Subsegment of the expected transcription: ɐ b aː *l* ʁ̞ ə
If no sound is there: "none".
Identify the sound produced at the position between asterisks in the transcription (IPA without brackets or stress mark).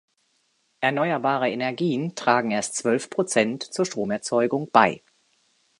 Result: none